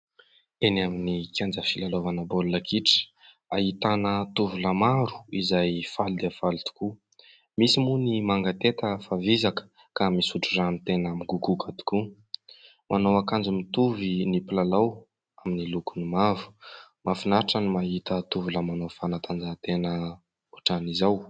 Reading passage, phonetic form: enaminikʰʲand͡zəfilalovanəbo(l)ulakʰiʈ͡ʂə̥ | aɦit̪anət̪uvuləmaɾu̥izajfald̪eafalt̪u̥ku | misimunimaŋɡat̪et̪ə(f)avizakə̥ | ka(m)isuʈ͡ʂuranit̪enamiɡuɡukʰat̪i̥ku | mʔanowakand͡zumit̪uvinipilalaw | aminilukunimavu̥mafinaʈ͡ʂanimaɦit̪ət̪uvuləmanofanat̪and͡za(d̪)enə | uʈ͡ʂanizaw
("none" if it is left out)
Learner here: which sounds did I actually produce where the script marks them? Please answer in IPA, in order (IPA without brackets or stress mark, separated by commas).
l, f, m, t̪